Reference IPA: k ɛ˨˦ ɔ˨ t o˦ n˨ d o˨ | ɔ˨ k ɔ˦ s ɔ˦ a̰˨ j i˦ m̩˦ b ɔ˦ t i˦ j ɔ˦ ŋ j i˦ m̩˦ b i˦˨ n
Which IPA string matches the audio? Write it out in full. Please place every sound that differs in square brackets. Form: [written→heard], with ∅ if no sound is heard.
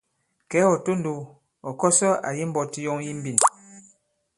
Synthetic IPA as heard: k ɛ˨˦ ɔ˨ t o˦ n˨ d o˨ | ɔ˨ k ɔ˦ s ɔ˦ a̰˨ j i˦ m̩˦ b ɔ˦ t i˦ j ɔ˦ ŋ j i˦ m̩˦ b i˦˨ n